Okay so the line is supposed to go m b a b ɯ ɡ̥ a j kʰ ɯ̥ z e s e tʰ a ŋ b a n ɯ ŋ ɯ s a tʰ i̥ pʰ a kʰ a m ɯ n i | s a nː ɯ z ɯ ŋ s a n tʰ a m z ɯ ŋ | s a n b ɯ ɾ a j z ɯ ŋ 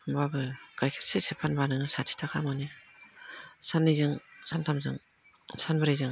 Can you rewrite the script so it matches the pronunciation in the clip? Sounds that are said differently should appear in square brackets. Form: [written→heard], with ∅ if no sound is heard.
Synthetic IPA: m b a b ɯ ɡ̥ a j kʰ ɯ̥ [z→s] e s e [tʰ→pʰ] a [ŋ→n] b a n ɯ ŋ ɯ s a tʰ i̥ [pʰ→tʰ] a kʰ a m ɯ n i | s a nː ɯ z ɯ ŋ s a n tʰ a m z ɯ ŋ | s a n b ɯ ɾ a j z ɯ ŋ